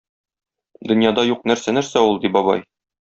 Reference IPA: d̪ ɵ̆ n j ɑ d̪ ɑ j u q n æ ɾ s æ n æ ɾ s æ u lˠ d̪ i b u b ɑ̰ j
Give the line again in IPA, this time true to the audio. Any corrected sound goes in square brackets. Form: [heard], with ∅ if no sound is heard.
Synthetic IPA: d̪ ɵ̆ n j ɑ d̪ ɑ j u q n æ ɾ s æ n æ ɾ s æ u lˠ d̪ i b [ɒ] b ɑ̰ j